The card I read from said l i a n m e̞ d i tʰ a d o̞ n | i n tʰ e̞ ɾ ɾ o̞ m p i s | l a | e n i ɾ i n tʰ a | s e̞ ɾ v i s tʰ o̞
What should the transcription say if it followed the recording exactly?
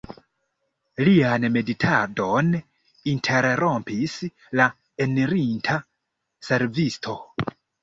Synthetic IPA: l i a n m e̞ d i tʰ a d o̞ n | i n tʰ e̞ ɾ ɾ o̞ m p i s | l a | e n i ɾ i n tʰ a | s e̞ ɾ v i s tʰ o̞

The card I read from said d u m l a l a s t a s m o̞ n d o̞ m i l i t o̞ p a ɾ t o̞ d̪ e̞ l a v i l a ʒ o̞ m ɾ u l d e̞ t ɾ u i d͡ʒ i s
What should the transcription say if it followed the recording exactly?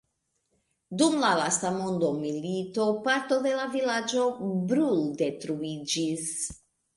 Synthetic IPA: d u m l a l a s t a m o̞ n d o̞ m i l i t o̞ p a ɾ t o̞ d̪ e̞ l a v i l a d͡ʒ o̞ b ɾ u l d e̞ t ɾ u i d͡ʒ i s

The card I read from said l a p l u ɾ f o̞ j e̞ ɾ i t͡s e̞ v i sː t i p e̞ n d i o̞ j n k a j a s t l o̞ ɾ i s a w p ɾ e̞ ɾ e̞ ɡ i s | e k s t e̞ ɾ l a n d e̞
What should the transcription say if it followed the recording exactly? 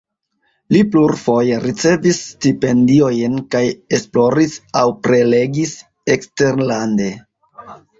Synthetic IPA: l i p l u ɾ f o̞ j e̞ ɾ i t͡s e̞ v i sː t i p e̞ n d i o̞ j n k a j e s p l o̞ ɾ i s a w p ɾ e̞ l e̞ ɡ i s | e k s t e̞ ɾ l a n d e̞

